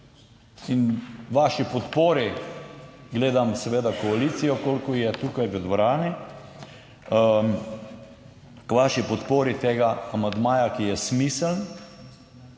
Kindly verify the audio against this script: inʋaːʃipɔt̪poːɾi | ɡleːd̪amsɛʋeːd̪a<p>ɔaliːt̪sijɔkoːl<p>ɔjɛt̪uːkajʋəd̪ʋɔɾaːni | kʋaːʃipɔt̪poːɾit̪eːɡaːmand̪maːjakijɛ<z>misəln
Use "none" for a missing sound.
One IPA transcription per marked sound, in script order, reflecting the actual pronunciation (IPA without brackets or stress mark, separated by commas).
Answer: k, k, s